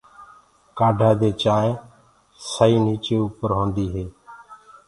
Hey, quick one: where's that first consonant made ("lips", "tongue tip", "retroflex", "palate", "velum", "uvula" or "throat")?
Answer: velum